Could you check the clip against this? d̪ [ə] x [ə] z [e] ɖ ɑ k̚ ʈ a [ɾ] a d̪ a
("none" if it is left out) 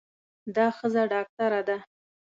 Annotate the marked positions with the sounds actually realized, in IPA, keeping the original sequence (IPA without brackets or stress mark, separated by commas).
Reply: ɑ, ə, a, ɾ